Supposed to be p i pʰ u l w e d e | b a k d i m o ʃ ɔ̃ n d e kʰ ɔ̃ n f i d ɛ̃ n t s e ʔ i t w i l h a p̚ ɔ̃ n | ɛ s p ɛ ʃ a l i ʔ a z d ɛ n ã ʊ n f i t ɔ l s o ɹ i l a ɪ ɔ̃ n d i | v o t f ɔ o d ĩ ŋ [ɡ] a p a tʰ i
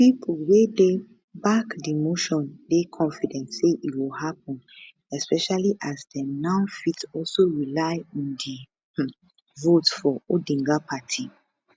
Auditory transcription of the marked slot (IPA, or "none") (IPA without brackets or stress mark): ɡ